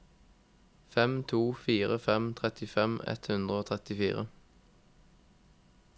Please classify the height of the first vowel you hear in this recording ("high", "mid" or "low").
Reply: mid